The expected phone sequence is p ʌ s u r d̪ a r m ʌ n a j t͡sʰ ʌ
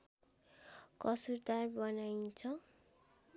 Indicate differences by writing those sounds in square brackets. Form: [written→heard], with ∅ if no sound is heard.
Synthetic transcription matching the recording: [p→k] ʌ s u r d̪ a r [m→b] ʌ n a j t͡sʰ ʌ